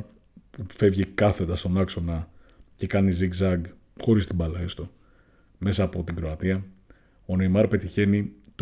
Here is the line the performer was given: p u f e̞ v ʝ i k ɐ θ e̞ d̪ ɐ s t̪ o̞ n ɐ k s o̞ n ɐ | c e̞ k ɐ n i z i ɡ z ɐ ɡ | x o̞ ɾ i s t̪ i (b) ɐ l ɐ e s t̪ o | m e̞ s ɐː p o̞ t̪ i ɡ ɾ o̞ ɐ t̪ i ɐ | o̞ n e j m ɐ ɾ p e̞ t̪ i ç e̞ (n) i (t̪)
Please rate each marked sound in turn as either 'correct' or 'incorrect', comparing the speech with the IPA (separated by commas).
correct, correct, correct